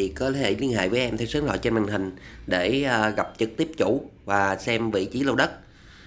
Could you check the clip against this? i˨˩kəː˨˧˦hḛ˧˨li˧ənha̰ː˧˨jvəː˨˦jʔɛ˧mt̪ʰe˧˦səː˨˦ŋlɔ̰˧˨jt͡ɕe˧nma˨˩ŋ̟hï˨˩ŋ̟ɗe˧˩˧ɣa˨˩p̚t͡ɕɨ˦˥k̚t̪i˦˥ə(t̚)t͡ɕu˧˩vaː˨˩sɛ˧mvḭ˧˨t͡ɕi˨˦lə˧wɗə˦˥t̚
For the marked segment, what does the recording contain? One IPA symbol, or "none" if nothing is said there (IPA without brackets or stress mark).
p̚